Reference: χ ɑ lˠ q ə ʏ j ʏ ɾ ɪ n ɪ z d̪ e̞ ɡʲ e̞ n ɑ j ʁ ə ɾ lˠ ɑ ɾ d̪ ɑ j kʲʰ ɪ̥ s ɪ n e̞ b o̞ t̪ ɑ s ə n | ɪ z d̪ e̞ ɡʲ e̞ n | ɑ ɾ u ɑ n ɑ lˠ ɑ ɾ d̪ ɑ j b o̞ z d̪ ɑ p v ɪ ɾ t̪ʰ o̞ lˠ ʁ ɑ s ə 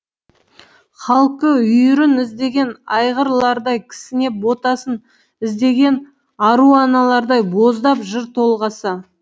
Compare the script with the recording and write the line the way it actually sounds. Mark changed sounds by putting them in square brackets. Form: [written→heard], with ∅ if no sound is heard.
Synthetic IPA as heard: χ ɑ lˠ q ə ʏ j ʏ ɾ ɪ n ɪ z d̪ e̞ ɡʲ e̞ n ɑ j ʁ ə ɾ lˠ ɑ ɾ d̪ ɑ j kʲʰ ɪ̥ s ɪ n e̞ b o̞ t̪ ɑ s ə n | ɪ z d̪ e̞ ɡʲ e̞ n | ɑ ɾ u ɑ n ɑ lˠ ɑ ɾ d̪ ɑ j b o̞ z d̪ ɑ p [v→ʒ] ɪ ɾ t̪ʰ o̞ lˠ ʁ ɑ s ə